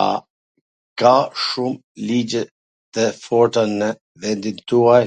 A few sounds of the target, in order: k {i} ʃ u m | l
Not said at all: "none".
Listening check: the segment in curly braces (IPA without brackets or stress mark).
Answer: a